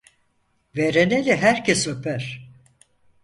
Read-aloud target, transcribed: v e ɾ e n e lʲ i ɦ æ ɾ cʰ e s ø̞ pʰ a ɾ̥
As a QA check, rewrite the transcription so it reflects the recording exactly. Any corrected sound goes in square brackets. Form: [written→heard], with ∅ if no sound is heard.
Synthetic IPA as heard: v e ɾ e n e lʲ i ɦ æ ɾ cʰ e s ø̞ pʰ [a→æ] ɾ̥